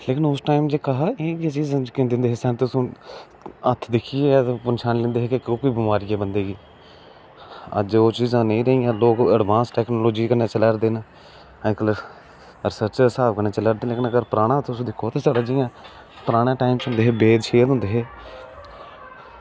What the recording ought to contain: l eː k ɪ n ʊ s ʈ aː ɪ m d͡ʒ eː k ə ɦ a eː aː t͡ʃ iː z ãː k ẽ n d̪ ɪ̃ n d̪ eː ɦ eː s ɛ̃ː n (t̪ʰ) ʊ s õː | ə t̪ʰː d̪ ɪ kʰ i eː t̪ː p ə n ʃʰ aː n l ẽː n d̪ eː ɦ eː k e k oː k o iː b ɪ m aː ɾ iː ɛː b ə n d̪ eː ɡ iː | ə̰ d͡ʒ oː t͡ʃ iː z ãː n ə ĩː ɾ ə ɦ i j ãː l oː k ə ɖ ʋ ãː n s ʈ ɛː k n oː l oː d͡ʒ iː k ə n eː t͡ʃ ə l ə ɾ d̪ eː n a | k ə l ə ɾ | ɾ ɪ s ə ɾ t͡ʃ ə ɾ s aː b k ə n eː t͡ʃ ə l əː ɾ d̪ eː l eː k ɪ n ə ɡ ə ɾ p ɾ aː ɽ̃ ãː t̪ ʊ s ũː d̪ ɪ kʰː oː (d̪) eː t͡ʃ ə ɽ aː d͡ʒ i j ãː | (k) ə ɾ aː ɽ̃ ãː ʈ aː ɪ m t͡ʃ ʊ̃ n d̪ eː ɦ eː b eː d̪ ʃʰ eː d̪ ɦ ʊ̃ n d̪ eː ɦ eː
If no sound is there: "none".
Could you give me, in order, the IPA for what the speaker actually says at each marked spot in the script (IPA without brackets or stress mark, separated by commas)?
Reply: t̪, t̪, p